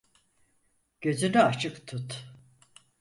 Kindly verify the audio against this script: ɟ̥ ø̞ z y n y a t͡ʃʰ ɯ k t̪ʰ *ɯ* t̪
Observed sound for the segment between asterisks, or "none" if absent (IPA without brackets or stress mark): u